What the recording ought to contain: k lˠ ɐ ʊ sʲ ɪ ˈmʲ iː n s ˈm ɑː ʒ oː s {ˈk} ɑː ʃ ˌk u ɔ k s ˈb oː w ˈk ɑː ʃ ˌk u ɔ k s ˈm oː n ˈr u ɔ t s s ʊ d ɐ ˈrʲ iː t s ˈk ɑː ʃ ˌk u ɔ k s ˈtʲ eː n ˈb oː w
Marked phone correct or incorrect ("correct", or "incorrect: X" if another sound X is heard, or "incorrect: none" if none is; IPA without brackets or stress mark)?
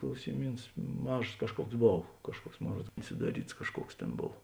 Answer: correct